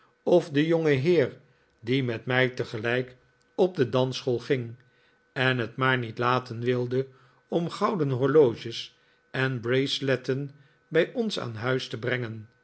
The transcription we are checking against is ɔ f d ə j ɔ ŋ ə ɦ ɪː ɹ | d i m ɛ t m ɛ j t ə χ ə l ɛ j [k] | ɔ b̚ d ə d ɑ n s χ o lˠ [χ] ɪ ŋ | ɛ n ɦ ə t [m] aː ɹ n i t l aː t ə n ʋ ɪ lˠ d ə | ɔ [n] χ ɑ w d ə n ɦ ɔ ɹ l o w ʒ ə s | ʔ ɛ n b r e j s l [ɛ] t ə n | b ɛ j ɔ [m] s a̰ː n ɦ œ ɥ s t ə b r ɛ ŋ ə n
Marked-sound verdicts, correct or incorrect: correct, correct, correct, incorrect: m, correct, incorrect: n

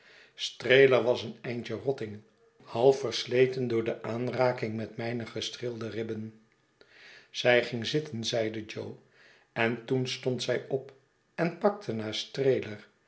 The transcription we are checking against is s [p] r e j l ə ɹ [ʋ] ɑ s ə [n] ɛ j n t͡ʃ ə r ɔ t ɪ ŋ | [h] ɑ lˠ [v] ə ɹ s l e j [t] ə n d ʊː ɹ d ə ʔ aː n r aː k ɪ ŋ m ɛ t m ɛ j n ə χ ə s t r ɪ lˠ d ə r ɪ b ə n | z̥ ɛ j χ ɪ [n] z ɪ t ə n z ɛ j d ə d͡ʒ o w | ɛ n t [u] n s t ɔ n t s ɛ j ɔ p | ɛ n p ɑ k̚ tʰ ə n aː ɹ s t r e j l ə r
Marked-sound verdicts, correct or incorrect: incorrect: t, correct, correct, correct, incorrect: f, correct, incorrect: ŋ, correct

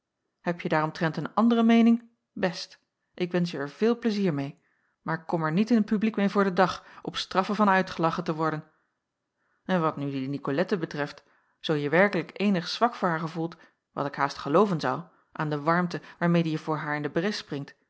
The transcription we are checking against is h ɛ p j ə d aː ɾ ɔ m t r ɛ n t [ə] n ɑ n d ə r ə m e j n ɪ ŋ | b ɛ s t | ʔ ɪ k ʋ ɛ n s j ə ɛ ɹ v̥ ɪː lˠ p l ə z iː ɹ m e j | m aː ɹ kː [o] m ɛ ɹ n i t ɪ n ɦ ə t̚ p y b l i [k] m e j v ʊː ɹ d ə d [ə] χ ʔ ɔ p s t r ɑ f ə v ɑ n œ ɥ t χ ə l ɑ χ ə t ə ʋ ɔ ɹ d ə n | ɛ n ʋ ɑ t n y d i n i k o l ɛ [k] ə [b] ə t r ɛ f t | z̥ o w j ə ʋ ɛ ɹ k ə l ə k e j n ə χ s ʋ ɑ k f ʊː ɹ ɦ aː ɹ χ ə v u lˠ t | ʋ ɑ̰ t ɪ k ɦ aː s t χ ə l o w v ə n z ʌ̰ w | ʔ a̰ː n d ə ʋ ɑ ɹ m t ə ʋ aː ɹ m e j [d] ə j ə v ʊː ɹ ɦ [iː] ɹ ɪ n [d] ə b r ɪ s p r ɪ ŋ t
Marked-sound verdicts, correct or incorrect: correct, incorrect: ɔ, correct, incorrect: ɑ, incorrect: t, correct, correct, incorrect: aː, correct

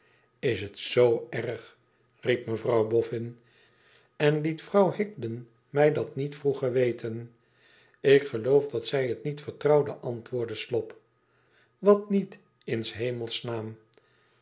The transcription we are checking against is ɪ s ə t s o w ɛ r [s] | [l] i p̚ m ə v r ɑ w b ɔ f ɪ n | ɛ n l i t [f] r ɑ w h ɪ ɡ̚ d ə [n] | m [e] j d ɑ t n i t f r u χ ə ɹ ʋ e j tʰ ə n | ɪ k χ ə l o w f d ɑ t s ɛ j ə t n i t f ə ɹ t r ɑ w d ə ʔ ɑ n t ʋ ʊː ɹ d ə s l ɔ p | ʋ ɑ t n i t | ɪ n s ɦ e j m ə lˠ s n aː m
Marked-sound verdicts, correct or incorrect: incorrect: χ, incorrect: r, correct, correct, incorrect: ɛ

